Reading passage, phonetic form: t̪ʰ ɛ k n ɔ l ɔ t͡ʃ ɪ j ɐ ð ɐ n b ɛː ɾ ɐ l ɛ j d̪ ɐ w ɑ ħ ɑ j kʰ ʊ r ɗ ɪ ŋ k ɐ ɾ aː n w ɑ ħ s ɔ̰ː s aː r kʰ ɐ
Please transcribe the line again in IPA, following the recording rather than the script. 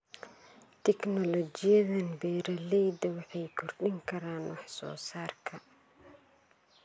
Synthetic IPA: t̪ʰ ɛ k n ɔ l ɔ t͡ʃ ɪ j ɐ ð ɐ n b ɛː ɾ ɐ l ɛ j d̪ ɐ w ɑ ħ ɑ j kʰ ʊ r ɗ ɪ ŋ kʰ ɐ ɾ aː n w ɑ ħ s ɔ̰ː s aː r kʰ ɐ

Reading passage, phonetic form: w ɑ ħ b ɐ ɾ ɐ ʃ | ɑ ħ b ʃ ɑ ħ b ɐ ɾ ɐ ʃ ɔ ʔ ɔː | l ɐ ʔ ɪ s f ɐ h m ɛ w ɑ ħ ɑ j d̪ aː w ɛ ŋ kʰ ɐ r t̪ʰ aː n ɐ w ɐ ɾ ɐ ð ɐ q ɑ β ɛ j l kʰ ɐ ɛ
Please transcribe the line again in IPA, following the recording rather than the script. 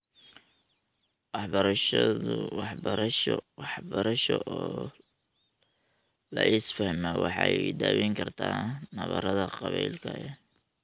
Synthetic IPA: w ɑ ħ b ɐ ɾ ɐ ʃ | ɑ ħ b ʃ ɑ ħ b ɐ ɾ ɐ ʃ ɔ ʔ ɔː | l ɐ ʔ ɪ s f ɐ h m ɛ w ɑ ħ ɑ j d̪ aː w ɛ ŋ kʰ ɐ r t̪ʰ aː n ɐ β ɐ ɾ ɐ ð ɐ q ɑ β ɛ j l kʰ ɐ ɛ

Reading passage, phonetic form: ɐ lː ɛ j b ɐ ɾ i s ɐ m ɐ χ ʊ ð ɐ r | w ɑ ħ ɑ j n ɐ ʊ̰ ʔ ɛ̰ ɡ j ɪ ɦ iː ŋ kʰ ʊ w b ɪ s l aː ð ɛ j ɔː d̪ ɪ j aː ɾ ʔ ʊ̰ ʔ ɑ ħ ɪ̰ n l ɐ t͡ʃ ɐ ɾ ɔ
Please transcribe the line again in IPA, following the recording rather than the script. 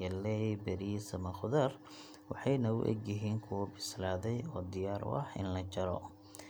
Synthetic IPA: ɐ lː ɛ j b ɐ ɾ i s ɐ m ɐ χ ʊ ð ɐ r | w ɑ ħ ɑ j n ɐ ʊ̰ ʔ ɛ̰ ɡ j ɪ ɦ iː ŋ kʰ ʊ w b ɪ s l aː ð ɛ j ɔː d̪ ɪ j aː ɾ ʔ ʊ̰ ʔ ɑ ħ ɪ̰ n l ɐ t͡ʃ ɐ ɾ ɔ

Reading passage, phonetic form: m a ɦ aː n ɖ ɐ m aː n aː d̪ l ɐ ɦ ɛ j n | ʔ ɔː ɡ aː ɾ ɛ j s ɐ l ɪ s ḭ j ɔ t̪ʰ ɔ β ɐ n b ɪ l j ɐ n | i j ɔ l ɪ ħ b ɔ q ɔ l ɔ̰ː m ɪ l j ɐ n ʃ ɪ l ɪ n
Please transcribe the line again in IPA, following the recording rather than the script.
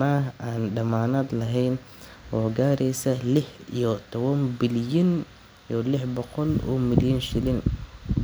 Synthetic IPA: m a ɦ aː n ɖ ɐ m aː n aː d̪ l ɐ ɦ ɛ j n | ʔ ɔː ɡ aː ɾ ɛ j s ɐ l ɪ ħ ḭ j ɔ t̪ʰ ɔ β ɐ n b ɪ l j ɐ n | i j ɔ l ɪ ħ b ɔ q ɔ l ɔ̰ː m ɪ l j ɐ n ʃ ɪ l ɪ n

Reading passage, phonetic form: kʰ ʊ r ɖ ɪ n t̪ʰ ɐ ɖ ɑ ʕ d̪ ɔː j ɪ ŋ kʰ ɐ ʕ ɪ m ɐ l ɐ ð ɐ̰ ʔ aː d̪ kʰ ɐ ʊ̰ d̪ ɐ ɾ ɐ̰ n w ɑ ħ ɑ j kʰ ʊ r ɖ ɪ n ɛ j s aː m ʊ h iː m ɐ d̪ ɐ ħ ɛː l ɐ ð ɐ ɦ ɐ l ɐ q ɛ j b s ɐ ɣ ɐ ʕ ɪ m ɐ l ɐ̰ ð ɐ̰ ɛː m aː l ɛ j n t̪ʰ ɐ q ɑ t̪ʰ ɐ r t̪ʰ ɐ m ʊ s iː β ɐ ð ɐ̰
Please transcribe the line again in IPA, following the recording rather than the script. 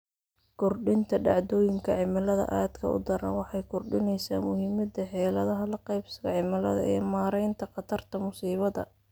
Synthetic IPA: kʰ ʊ r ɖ ɪ n t̪ʰ ɐ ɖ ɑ ʕ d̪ ɔː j ɪ ŋ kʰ ɐ ʕ ɪ m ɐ l ɐ ð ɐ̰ ʔ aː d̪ kʰ ɐ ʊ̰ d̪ ɐ ɾ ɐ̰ n w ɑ ħ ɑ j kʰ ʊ r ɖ ɪ n ɛ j s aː m ʊ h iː m ɐ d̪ ɐ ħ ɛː l ɐ ð ɐ ɦ ɐ l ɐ q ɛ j b s ɐ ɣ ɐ ʕ ɪ m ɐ l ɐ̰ ð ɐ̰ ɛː m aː ɾ ɛ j n t̪ʰ ɐ q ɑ t̪ʰ ɐ r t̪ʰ ɐ m ʊ s iː β ɐ ð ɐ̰

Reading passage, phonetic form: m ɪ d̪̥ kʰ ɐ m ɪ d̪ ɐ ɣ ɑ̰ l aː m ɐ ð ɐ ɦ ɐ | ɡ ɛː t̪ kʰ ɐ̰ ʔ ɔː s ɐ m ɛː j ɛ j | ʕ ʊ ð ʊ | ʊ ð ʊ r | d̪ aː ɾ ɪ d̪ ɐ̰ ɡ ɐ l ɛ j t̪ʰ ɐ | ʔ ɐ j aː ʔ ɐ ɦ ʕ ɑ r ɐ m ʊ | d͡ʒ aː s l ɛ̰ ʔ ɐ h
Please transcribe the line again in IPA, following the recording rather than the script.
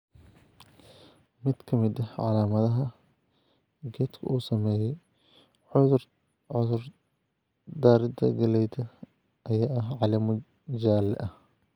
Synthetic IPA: m ɪ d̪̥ kʰ ɐ m ɪ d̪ ɐ ʕ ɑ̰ l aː m ɐ ð ɐ ɦ ɐ | ɡ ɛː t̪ kʰ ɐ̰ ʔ uː s ɐ m ɛː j ɛ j | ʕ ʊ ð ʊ | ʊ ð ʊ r | d̪ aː ɾ ɪ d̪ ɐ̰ ɡ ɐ l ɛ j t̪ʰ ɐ | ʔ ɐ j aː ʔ ɐ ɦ ʕ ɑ l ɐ m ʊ | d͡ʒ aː l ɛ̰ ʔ ɐ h

